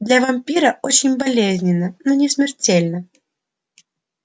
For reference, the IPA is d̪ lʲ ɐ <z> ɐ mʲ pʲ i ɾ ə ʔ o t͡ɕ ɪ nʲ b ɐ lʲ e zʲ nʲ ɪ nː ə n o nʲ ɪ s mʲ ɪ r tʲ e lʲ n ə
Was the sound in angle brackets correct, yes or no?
no